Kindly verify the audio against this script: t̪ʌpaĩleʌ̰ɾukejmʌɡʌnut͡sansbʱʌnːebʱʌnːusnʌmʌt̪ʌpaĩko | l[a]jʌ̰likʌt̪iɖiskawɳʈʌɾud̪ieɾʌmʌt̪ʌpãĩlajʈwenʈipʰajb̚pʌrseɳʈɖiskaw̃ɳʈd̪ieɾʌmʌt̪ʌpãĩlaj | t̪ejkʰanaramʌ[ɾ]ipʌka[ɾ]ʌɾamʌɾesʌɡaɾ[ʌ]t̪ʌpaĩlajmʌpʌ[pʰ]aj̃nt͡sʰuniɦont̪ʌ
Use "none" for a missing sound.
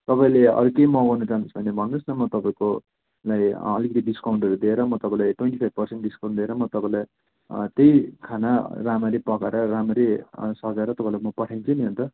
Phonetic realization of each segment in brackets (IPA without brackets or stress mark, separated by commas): a, ɾ, ɾ, ʌ, ʈʰ